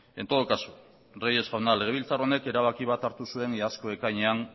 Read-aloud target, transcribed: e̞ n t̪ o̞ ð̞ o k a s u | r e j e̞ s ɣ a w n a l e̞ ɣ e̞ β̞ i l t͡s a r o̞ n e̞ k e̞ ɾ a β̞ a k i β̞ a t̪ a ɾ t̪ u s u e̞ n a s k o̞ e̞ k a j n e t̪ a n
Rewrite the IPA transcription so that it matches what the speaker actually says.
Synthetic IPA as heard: e̞ n t̪ o̞ ð̞ o k a s u | r e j e̞ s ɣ a w n a l e̞ ɣ e̞ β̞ i l t͡s a r o̞ n e̞ k e̞ ɾ a β̞ a k i β̞ a t̪ a ɾ t̪ u s u e̞ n a s k o̞ e̞ k a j ɲ e a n